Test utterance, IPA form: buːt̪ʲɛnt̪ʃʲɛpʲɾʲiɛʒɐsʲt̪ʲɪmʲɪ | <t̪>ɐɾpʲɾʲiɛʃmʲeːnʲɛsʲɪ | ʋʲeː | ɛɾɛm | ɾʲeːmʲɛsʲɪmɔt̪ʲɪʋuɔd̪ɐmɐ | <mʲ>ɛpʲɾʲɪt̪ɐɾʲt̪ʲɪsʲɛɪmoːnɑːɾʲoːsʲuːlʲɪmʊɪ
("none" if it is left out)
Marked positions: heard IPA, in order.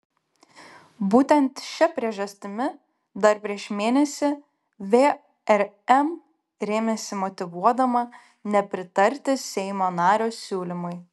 d̪, nʲ

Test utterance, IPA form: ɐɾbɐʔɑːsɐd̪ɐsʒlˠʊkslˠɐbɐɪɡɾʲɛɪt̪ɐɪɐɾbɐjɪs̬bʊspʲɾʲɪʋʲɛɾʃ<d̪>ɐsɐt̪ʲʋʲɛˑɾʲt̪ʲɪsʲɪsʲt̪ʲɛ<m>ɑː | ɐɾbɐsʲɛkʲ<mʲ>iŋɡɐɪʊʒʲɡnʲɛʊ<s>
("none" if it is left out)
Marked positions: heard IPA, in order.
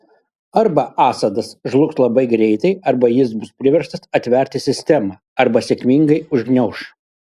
t̪, m, mʲ, ʃ

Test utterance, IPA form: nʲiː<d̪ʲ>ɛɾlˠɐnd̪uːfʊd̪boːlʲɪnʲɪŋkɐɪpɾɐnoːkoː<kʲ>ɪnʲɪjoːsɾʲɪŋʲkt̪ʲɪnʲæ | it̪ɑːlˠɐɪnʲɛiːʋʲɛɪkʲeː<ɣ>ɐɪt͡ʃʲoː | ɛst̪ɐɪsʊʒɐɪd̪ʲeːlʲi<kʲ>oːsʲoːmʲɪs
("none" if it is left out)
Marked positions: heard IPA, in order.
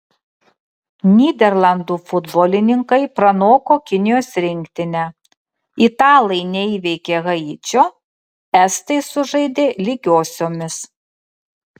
d̪ʲ, kʲ, ɣ, ɡʲ

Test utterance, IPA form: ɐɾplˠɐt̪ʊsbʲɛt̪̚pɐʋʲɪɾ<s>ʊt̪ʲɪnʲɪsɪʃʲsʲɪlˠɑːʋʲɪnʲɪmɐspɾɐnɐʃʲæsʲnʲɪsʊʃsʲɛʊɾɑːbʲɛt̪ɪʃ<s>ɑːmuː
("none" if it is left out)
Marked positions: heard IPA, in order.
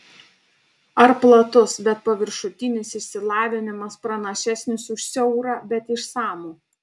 ʃ, s

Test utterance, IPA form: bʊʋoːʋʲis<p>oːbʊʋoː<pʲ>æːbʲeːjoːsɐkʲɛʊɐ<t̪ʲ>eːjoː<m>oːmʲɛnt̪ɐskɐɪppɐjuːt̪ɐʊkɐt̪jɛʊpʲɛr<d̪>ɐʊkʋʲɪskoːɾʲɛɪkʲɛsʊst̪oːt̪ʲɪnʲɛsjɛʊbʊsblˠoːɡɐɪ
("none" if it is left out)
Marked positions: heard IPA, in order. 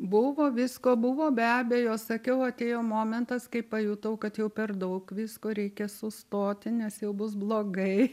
k, bʲ, t̪ʲ, m, d̪

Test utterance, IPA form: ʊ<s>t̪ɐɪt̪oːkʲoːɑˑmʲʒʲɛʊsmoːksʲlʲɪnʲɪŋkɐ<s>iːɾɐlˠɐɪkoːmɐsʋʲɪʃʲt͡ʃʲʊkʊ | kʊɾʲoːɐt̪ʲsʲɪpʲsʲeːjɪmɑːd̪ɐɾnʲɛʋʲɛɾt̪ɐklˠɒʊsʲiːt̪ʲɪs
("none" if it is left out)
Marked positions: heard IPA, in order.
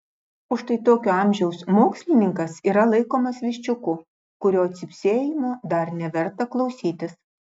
ʃ, s

